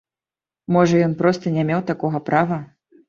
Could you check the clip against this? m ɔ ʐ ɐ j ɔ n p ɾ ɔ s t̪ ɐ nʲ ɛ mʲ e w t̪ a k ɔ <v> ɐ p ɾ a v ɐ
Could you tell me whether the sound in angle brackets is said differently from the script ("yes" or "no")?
yes